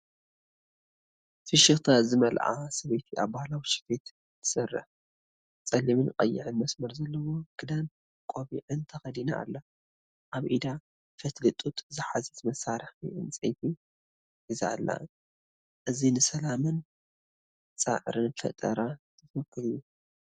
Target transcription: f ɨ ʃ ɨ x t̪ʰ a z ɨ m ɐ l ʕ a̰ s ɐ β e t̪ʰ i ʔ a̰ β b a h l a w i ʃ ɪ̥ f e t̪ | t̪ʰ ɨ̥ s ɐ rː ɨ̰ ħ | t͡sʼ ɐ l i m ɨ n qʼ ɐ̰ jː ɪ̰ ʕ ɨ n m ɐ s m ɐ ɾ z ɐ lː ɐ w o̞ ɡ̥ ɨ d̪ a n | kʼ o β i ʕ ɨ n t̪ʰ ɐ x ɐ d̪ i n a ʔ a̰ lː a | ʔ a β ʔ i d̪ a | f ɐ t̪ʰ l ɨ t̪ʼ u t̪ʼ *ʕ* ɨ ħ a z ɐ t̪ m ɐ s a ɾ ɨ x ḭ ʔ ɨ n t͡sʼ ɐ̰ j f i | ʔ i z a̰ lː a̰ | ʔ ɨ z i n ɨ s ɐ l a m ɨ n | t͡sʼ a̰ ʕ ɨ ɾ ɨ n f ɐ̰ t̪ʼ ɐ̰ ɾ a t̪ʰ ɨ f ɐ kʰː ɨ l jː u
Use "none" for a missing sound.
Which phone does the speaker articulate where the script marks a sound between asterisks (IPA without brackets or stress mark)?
z